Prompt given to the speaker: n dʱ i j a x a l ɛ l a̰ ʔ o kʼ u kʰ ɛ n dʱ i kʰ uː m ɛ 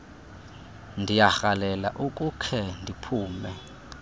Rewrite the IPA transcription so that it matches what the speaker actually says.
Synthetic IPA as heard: n dʱ i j a x a l ɛ l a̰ ʔ u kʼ u kʰ ɛ n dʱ i pʰ uː m ɛ